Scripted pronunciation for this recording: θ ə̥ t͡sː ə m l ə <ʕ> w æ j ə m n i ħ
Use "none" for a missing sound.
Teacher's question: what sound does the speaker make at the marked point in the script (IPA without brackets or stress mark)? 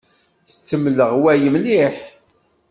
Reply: ʁ